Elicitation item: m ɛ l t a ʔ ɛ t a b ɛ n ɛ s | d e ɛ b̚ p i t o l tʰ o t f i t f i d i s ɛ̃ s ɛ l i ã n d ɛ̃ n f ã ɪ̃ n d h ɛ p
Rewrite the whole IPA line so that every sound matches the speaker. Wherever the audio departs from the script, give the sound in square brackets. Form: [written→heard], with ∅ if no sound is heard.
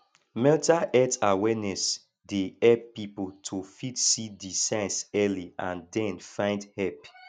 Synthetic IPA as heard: m ɛ l t a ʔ ɛ t a [b→w] ɛ n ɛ s | d e ɛ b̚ p i [t→p] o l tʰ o [t→∅] f i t [f→s] i d i s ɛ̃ s ɛ l i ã n d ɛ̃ n f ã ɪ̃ n d h ɛ p